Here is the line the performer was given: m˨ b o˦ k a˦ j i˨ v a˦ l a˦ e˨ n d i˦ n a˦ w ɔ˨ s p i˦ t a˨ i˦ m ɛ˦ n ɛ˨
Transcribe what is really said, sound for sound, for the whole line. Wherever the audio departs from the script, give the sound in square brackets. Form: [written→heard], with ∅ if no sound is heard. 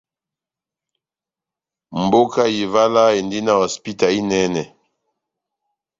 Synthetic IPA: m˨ b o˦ k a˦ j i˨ v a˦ l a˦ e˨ n d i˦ n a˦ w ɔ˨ s p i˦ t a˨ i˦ [m→n] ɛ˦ n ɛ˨